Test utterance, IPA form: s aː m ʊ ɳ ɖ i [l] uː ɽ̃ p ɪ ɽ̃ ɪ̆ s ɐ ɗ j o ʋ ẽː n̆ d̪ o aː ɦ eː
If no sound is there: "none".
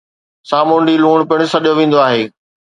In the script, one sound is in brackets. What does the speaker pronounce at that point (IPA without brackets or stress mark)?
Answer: l